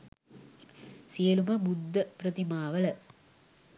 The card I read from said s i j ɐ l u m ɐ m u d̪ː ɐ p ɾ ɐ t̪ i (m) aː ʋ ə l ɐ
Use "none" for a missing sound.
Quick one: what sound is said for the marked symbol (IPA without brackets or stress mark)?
m